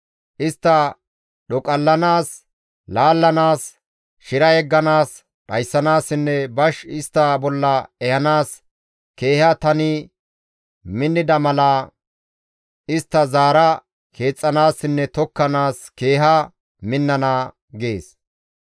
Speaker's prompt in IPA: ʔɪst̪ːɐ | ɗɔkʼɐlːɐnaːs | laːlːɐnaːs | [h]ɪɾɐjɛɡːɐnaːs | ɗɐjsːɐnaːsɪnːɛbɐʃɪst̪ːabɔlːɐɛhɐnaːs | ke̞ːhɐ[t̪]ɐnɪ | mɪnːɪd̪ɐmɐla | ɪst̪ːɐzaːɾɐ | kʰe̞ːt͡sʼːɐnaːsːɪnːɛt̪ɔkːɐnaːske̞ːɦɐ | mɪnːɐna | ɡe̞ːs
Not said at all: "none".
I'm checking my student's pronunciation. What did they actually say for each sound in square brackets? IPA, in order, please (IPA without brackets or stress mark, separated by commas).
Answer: ʃ, t̪